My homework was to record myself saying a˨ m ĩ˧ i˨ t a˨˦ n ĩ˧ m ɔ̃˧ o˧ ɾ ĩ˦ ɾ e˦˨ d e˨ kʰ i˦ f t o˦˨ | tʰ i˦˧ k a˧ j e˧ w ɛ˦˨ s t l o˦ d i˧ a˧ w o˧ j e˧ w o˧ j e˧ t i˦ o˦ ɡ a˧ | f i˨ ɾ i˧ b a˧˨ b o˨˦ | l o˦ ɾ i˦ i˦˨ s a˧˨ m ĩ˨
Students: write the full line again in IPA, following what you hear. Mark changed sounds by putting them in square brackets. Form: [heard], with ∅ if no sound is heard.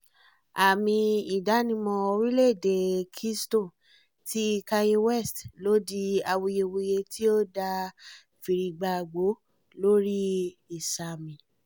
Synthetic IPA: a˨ m ĩ˧ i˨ [d] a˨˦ n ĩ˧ m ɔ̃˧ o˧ ɾ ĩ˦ [l] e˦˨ d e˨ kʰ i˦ [s] t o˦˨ | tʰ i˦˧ k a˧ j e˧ w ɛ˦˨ s t l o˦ d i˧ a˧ w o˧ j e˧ w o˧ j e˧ t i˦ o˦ [d] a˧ | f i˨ ɾ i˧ [ɡ͡b] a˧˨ [ɡ͡b] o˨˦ | l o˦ ɾ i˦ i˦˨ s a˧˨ m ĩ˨